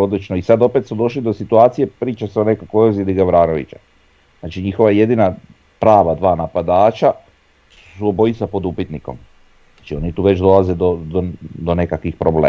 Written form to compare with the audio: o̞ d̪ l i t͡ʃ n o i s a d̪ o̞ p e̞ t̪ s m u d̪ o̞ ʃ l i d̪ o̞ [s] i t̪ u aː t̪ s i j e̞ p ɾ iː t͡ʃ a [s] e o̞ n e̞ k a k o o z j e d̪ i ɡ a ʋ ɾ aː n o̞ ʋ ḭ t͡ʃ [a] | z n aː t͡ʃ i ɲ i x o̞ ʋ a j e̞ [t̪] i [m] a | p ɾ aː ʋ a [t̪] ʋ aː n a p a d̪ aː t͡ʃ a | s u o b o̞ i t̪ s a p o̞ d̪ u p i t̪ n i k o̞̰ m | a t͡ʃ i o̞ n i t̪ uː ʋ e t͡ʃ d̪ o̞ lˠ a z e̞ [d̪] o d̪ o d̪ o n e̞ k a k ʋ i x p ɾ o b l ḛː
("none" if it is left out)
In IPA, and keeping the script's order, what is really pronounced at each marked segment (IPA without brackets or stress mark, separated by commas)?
s, s, a, d̪, n, d̪, d̪